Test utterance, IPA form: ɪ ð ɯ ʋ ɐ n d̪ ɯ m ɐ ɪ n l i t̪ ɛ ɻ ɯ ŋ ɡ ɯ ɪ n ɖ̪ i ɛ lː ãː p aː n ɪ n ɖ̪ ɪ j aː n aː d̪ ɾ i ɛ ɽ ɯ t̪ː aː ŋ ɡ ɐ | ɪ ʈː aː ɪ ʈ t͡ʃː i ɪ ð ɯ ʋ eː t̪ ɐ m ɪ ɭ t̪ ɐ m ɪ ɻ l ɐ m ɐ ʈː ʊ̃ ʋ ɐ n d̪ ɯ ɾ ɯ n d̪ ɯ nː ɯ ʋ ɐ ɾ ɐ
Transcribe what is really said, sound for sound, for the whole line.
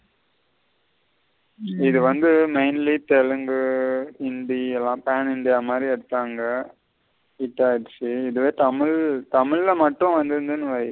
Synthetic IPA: ɪ ð ɯ ʋ ɐ n d̪ ɯ m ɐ ɪ n l i t̪ ɛ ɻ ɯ ŋ ɡ ɯ ɪ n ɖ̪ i ɛ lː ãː p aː n ɪ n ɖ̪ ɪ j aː m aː d̪ ɾ i ɛ ɽ ɯ t̪ː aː ŋ ɡ ɐ | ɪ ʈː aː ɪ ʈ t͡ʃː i ɪ ð ɯ ʋ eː t̪ ɐ m ɪ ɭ t̪ ɐ m ɪ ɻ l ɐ m ɐ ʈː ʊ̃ ʋ ɐ n d̪ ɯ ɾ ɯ n d̪ ɯ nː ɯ ʋ ɐ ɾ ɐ